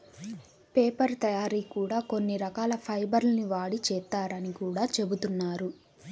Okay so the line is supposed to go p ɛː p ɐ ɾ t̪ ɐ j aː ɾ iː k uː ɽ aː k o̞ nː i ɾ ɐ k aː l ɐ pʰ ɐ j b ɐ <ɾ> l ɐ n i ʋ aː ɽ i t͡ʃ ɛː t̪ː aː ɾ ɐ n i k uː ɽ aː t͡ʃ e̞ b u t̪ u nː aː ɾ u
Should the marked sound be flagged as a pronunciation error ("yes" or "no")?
no